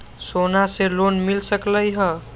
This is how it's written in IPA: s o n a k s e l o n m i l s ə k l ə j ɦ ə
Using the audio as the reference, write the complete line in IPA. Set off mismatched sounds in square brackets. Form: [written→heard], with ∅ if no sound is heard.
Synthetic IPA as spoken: s o n a [k→∅] s e l o n m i l s ə k l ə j ɦ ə